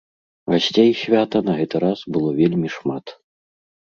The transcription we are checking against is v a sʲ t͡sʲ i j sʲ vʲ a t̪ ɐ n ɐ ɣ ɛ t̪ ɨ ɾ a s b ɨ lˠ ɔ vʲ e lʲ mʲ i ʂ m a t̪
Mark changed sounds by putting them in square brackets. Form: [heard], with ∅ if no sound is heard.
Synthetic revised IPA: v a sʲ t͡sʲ [e] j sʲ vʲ a t̪ ɐ n ɐ ɣ ɛ t̪ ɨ ɾ a s b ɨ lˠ ɔ vʲ e lʲ mʲ i ʂ m a t̪